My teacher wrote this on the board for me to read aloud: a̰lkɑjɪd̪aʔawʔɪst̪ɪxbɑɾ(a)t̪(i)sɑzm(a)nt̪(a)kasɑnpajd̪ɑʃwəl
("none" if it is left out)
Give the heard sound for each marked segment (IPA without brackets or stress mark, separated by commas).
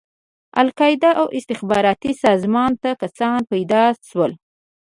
ɑ, i, ɑ, a